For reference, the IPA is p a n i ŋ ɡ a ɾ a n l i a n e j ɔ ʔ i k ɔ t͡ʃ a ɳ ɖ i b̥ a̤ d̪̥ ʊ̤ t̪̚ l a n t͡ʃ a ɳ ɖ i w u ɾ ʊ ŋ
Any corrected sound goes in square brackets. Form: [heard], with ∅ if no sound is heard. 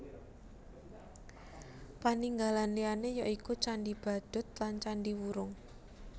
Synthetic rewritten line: p a n i ŋ ɡ a [l] a n l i a n e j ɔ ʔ i k [u] t͡ʃ a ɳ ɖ i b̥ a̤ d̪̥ ʊ̤ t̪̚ l a n t͡ʃ a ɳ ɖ i w u ɾ ʊ ŋ